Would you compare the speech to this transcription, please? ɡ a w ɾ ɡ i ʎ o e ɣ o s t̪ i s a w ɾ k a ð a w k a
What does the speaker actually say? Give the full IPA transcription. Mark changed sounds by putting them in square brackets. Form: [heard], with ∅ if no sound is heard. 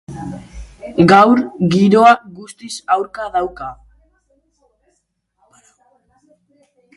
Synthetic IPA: ɡ a w ɾ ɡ i [ɾ] o [a] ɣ [u] s t̪ i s a w ɾ k a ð a w k a